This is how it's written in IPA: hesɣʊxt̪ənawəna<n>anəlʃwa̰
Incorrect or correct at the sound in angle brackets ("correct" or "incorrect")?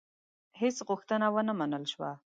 incorrect